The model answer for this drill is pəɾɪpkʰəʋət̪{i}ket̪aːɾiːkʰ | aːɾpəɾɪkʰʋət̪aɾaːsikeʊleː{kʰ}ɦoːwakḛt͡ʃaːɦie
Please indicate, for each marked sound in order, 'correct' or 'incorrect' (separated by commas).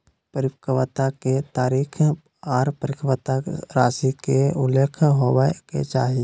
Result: incorrect, correct